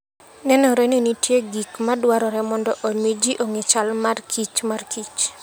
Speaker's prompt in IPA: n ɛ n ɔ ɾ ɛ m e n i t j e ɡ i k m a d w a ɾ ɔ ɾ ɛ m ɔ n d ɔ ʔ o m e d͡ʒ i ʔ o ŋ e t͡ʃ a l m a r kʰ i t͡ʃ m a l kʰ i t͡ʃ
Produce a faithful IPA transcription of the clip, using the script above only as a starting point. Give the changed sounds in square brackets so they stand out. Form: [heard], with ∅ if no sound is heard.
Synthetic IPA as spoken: n ɛ n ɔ ɾ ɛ [n] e n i t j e ɡ i k m a d w a ɾ ɔ ɾ ɛ m ɔ n d ɔ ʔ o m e d͡ʒ i ʔ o ŋ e t͡ʃ a l m a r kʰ i t͡ʃ m a [r] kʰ i t͡ʃ